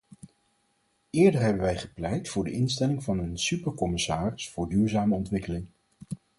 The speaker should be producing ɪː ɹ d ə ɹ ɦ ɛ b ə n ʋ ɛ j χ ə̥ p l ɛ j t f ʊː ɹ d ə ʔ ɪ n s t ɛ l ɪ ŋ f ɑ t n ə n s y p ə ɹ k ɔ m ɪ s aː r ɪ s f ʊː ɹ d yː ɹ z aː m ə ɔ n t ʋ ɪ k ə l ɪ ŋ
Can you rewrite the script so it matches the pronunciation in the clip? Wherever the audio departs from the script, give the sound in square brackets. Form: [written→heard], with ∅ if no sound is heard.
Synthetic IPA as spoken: ɪː ɹ d ə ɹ ɦ ɛ b ə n ʋ ɛ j χ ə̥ p l ɛ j t f ʊː ɹ d ə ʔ ɪ n s t ɛ l ɪ ŋ [f→v] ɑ [t→∅] n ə n s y p ə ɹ k ɔ m ɪ s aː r ɪ s f ʊː ɹ d yː ɹ z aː m ə ɔ n t ʋ ɪ k ə l ɪ ŋ